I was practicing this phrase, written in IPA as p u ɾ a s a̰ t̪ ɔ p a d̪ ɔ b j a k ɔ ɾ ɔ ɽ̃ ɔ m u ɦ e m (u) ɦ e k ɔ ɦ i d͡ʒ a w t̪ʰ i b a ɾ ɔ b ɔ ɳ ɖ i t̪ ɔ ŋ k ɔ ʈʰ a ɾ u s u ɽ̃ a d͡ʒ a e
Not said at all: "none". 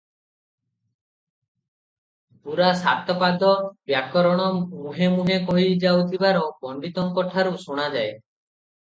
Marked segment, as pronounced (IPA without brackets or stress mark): u